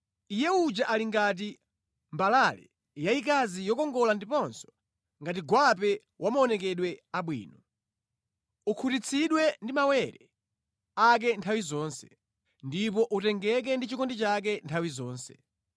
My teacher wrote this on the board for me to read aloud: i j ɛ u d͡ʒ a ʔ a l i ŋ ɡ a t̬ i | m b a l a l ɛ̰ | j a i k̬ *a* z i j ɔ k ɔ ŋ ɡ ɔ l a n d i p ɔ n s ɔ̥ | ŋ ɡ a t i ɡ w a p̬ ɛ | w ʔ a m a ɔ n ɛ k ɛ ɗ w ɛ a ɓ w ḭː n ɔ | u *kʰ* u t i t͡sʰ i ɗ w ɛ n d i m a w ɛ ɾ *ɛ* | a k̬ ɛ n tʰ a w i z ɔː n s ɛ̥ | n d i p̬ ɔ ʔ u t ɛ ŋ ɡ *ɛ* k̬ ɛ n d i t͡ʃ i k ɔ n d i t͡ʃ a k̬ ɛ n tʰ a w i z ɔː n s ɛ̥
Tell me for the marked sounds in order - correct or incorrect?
correct, correct, correct, correct

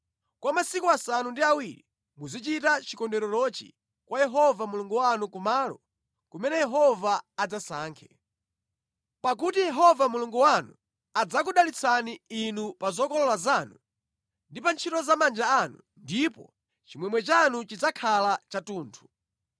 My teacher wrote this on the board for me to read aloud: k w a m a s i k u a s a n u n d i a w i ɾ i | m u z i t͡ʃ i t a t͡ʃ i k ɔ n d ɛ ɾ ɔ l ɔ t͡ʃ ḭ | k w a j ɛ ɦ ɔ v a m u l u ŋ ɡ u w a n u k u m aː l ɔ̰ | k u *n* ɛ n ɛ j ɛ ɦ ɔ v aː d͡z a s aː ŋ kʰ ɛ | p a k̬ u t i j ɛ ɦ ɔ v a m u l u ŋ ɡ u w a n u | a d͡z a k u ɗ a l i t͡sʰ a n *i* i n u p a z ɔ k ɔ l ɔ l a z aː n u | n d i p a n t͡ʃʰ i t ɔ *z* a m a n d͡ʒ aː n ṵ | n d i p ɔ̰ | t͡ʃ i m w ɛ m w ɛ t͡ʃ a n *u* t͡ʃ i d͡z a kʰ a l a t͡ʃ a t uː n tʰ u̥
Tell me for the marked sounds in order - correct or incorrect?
incorrect: m, correct, correct, correct

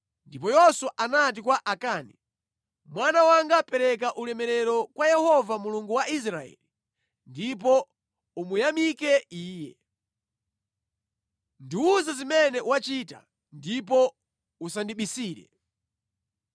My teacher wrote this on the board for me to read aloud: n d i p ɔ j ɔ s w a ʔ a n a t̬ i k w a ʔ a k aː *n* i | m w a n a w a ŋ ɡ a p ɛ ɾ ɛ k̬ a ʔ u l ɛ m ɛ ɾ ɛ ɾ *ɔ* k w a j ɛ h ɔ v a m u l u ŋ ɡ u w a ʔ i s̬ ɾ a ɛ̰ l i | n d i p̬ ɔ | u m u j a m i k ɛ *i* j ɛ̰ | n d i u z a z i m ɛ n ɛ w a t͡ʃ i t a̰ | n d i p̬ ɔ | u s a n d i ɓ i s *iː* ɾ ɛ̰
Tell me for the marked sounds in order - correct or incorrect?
correct, correct, incorrect: iː, correct

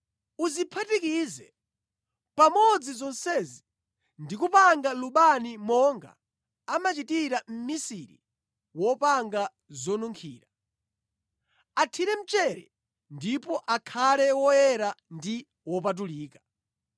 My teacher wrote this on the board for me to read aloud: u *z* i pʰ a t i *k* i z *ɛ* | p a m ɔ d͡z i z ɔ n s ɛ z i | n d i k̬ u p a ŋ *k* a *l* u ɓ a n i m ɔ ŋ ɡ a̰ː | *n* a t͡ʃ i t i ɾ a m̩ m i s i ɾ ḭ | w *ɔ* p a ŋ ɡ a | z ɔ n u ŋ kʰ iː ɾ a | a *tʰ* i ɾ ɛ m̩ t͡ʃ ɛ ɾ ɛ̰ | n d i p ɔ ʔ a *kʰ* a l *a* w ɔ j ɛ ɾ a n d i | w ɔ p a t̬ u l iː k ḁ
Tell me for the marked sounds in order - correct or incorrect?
correct, correct, correct, incorrect: ɡ, correct, incorrect: m, correct, correct, correct, incorrect: ɛ

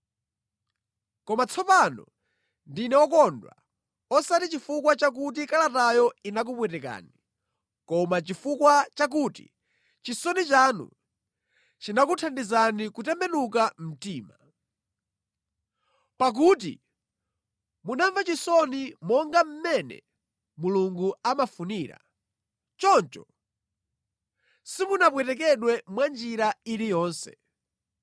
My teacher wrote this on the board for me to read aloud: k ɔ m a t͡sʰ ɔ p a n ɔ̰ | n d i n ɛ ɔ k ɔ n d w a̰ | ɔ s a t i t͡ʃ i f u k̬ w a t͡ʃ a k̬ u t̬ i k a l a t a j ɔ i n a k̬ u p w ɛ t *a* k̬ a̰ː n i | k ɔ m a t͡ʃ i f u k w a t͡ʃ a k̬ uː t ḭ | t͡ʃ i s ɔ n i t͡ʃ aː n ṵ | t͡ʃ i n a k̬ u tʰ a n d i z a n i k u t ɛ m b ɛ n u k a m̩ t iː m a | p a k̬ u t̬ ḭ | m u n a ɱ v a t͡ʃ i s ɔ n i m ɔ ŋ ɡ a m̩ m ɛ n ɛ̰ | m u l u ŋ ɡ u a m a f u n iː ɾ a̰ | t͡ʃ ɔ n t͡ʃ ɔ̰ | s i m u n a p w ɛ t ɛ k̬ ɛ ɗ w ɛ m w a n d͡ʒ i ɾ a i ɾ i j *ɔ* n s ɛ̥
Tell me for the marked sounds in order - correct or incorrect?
incorrect: ɛ, incorrect: ɔː

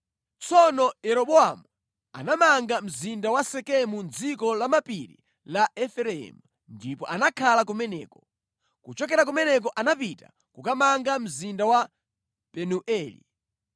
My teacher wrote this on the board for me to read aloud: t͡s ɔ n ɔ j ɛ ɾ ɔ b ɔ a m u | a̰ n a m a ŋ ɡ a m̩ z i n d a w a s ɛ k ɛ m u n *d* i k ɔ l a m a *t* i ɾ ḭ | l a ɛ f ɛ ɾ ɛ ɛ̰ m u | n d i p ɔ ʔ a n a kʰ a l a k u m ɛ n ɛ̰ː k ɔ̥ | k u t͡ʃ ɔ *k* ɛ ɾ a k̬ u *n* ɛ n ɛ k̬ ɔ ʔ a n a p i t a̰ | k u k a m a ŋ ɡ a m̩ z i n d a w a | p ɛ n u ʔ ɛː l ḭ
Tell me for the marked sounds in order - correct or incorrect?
incorrect: d͡z, incorrect: p, correct, incorrect: m

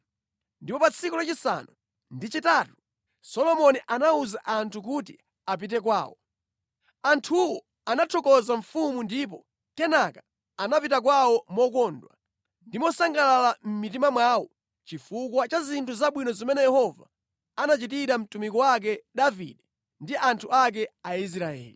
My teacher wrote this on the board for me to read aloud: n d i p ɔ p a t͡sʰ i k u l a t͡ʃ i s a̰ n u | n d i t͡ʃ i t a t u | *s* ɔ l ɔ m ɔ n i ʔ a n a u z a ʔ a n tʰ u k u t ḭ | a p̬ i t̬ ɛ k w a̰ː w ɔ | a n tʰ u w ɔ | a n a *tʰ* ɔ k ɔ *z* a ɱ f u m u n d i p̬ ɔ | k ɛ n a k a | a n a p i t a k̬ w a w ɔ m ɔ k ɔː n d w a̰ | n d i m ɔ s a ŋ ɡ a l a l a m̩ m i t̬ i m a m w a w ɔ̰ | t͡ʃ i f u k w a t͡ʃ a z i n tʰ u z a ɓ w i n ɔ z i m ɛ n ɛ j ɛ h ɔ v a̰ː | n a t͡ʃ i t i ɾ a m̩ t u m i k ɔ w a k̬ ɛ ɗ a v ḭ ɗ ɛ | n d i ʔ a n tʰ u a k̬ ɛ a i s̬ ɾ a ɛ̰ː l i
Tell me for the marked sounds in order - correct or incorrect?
correct, correct, correct

